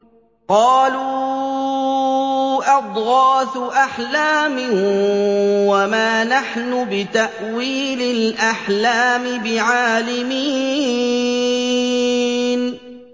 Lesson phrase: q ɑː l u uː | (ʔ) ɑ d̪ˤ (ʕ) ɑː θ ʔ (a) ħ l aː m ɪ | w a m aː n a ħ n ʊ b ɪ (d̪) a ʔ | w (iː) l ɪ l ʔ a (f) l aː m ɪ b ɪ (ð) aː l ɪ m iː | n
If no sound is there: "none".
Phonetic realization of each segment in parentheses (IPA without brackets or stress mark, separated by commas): ʔ, ɣ, a, t̪, iː, ħ, ʕ